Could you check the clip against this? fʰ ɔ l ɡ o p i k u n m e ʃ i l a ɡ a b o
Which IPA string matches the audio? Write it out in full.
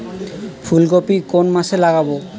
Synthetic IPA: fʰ u l ɡ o p i k o n m a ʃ e l a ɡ a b o